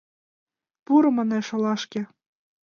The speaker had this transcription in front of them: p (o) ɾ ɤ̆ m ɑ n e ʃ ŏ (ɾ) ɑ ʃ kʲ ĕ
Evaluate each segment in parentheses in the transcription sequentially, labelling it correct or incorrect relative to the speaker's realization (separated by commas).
incorrect, incorrect